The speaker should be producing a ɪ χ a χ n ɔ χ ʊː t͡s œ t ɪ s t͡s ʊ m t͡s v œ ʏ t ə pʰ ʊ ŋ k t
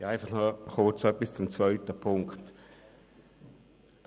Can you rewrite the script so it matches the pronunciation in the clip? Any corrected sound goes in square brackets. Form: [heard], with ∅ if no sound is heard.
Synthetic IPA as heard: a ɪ [f] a χ n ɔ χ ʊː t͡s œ [p] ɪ s t͡s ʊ m t͡s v œ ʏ t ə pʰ ʊ ŋ k t